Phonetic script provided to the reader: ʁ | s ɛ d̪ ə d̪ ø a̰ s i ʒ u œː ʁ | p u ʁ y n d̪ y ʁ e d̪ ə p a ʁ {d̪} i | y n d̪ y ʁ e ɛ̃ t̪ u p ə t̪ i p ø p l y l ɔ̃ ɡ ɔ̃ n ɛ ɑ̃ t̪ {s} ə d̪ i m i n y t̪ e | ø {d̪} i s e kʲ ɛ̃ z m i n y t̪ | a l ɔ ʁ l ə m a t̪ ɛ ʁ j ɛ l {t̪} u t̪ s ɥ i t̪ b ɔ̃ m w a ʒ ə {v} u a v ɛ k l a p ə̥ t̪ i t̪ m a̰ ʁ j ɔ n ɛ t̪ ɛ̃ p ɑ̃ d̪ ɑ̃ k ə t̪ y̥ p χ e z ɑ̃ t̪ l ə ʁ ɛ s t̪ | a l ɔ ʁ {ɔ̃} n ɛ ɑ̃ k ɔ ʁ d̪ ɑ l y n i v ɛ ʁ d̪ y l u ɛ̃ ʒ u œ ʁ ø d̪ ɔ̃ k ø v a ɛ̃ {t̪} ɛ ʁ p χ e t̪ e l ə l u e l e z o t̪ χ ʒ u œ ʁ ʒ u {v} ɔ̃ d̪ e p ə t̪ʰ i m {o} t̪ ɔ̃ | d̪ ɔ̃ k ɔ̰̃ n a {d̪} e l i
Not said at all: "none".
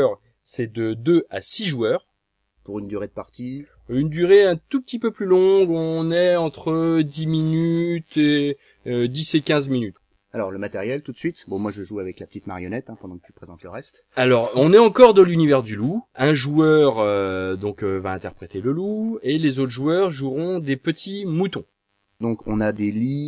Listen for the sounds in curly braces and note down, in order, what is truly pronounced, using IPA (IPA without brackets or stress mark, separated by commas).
t̪, χ, d̪, t̪, ʒ, ɔ̃, t̪, ʁ, u, d̪